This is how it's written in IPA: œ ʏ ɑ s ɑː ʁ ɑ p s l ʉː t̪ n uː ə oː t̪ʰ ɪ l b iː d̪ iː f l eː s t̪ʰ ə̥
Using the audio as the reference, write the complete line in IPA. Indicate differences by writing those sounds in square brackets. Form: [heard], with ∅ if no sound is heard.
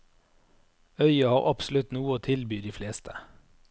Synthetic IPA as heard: œ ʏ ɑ [h] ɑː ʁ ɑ p s l [ʉ] t̪ n uː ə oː t̪ʰ ɪ l b [yː] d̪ iː f l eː s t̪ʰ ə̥